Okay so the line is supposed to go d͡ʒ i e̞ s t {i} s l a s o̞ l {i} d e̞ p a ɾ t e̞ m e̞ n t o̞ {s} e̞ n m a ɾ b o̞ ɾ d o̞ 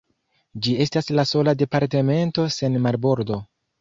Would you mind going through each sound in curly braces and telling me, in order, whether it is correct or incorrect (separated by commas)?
incorrect, incorrect, correct